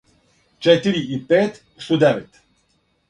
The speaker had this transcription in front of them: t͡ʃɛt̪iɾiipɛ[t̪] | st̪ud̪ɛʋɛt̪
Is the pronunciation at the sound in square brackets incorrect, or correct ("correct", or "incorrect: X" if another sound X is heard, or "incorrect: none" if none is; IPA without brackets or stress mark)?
correct